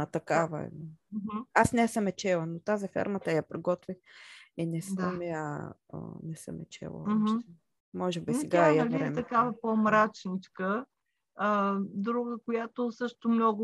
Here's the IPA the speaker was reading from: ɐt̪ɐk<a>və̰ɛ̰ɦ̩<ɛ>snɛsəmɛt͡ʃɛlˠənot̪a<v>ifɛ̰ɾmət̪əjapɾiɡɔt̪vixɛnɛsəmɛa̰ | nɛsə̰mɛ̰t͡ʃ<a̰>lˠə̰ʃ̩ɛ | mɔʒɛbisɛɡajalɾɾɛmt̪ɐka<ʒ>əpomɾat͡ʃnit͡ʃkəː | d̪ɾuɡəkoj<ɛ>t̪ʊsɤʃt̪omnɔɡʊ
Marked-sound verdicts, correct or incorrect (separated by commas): correct, incorrect, incorrect, incorrect, incorrect, incorrect